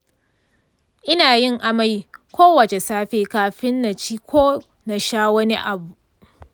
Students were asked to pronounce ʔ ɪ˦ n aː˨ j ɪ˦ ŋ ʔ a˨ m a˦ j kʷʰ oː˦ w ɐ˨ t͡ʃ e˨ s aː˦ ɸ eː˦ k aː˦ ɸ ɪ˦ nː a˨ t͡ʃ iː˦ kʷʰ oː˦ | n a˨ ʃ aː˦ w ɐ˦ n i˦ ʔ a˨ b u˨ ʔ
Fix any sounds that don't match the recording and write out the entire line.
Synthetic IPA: ʔ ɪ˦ n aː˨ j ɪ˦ ŋ ʔ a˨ m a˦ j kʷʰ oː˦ w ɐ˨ t͡ʃ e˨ s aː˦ ɸ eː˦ k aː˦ ɸ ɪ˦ nː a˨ t͡ʃ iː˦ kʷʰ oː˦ | n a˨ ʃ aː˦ w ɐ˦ n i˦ ʔ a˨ b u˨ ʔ